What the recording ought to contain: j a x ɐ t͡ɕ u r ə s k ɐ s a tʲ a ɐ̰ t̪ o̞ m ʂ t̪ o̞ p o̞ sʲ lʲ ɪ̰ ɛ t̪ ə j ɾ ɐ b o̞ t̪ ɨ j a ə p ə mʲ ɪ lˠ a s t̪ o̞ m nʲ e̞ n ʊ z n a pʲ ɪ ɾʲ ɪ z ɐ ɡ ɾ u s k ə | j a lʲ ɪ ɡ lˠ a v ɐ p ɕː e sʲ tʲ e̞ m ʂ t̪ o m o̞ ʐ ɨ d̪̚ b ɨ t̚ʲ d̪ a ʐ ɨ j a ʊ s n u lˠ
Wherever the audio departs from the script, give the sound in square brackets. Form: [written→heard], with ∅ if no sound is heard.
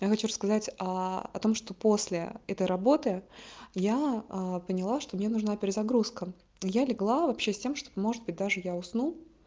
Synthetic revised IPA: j a x ɐ t͡ɕ u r ə s k ɐ [s→z] a tʲ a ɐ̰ t̪ o̞ m ʂ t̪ o̞ p o̞ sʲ lʲ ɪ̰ ɛ t̪ ə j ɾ ɐ b o̞ t̪ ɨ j a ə p ə [mʲ→nʲ] ɪ lˠ a [s→ʂ] t̪ o̞ m nʲ e̞ n ʊ [z→ʐ] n a pʲ ɪ ɾʲ ɪ z ɐ ɡ ɾ u s k ə | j a lʲ ɪ ɡ lˠ a v ɐ p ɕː e sʲ tʲ e̞ m ʂ t̪ o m o̞ ʐ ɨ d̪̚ b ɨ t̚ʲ d̪ a ʐ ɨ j a ʊ s n u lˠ